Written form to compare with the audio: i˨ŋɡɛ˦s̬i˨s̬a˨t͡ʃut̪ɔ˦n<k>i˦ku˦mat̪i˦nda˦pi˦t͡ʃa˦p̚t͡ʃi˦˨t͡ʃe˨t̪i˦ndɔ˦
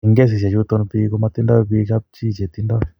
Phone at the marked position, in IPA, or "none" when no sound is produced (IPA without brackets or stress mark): p